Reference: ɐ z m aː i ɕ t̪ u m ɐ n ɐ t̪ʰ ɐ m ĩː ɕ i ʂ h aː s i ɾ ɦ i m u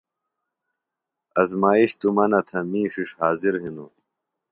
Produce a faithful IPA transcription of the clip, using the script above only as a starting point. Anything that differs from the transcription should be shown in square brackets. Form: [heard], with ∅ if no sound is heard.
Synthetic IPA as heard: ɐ z m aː i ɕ t̪ u m ɐ n ɐ t̪ʰ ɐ m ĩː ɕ i ʂ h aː [z] i ɾ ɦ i [n] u